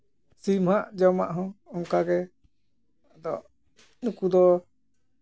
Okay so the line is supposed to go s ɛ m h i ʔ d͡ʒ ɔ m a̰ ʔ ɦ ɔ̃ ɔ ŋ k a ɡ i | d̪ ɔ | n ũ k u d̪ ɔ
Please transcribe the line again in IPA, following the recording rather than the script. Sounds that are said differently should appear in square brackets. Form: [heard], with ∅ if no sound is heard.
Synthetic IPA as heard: s [i] m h [a] ʔ d͡ʒ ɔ m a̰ ʔ ɦ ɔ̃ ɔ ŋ k a ɡ [ɛ] | d̪ ɔ | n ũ k u d̪ ɔ